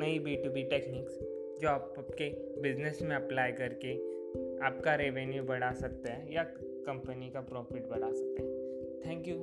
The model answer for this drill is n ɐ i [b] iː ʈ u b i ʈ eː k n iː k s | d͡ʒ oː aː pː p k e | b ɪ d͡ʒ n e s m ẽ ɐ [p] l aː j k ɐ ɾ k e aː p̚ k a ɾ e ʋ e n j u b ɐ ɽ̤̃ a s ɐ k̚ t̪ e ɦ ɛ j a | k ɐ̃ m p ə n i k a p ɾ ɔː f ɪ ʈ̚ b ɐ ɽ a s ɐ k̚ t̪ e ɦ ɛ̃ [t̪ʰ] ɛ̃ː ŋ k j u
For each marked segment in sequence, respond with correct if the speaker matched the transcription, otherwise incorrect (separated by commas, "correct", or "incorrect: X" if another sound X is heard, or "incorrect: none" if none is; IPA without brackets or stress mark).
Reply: correct, correct, correct